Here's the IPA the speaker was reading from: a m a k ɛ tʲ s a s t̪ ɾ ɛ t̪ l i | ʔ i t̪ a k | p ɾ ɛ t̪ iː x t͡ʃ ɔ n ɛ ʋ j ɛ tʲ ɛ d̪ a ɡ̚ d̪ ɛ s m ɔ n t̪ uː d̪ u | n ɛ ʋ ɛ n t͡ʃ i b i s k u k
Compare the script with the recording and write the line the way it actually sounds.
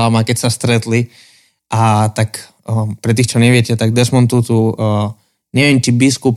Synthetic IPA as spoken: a m a k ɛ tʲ s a s t̪ ɾ ɛ t̪ l i | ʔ a t̪ a k | p ɾ ɛ t̪ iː x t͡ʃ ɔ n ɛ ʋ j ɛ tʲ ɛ t̪ a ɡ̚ d̪ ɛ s m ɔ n t̪ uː t̪ u | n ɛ ʋ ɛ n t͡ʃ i b i s k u p